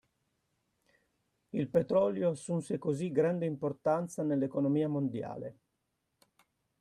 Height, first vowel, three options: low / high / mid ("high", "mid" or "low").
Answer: high